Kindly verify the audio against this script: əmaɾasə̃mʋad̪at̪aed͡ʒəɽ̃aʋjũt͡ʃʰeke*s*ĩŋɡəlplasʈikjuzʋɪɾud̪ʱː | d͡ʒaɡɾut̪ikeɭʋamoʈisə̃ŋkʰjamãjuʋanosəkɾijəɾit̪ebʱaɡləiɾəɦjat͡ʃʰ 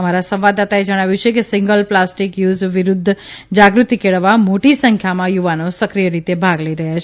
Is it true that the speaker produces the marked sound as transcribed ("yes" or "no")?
yes